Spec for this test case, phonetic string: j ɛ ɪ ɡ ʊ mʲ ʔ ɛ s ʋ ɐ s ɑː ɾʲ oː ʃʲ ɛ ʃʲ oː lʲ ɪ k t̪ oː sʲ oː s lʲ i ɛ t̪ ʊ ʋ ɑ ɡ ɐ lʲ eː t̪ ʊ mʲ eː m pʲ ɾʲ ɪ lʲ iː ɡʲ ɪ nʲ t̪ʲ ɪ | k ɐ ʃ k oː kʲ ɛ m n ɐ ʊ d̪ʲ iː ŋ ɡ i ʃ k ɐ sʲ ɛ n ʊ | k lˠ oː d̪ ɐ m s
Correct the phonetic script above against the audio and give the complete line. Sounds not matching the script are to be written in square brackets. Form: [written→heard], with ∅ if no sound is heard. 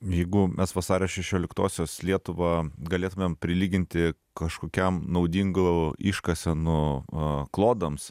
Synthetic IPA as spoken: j ɛ ɪ ɡ ʊ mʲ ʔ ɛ s ʋ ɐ s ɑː ɾʲ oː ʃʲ ɛ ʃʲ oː lʲ ɪ k t̪ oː sʲ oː s lʲ i ɛ t̪ ʊ ʋ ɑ ɡ ɐ lʲ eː t̪ ʊ mʲ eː m pʲ ɾʲ ɪ lʲ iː ɡʲ ɪ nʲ t̪ʲ ɪ | k ɐ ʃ k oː kʲ ɛ m n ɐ ʊ d̪ʲ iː ŋ ɡ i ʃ k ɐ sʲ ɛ n ʊ | k lˠ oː d̪ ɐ m s